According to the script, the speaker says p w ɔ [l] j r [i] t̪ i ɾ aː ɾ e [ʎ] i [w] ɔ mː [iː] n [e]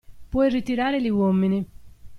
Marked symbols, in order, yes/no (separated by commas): no, yes, no, yes, no, no